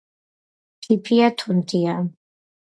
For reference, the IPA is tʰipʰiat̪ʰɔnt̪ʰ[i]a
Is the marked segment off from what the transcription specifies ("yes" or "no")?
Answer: no